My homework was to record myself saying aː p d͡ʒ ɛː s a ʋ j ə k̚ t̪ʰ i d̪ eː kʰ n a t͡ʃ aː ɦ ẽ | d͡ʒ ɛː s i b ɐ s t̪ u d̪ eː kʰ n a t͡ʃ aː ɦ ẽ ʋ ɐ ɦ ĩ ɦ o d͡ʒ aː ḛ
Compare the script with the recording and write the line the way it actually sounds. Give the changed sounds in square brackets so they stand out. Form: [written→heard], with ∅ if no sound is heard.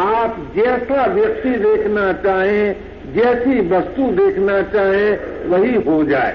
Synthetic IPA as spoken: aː p d͡ʒ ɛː s a ʋ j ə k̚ [t̪ʰ→t̪] i d̪ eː kʰ n a t͡ʃ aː ɦ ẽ | d͡ʒ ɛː s i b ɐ s t̪ u d̪ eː kʰ n a t͡ʃ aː ɦ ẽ ʋ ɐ ɦ [ĩ→i] ɦ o d͡ʒ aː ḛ